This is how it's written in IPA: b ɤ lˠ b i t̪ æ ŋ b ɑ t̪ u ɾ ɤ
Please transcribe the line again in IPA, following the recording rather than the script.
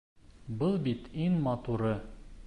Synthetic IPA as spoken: b ɤ lˠ b i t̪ i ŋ m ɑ t̪ u ɾ ɤ